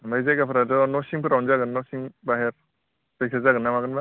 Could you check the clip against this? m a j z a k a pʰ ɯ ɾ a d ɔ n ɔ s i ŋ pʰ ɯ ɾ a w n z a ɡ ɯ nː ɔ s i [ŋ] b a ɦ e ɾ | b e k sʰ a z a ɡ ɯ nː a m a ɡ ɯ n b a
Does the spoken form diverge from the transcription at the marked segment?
no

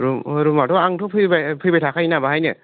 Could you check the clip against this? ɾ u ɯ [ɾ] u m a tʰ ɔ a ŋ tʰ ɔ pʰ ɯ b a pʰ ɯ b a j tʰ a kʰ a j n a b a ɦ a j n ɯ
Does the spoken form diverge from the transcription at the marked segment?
no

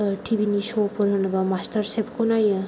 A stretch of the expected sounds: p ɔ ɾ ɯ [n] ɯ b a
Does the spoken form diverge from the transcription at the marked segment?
no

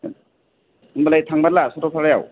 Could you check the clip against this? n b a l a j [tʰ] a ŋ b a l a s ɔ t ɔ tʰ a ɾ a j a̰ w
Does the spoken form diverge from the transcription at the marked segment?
no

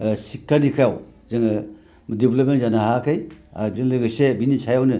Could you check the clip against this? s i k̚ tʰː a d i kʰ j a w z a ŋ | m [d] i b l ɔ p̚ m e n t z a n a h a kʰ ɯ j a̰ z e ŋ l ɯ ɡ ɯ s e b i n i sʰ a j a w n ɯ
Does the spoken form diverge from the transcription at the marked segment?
no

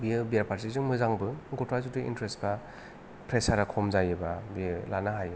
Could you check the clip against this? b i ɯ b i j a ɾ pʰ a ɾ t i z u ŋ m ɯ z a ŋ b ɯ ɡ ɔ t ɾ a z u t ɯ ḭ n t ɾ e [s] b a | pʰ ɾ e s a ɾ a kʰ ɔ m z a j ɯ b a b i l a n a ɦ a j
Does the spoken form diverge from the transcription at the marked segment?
no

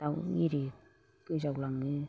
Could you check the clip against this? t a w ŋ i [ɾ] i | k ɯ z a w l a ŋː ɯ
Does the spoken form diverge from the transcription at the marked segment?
no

